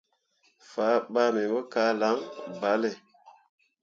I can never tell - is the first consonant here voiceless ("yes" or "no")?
yes